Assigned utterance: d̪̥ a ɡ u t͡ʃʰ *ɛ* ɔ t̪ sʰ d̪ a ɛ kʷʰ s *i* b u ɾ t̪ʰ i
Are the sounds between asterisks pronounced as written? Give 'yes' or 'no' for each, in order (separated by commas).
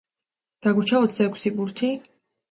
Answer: no, yes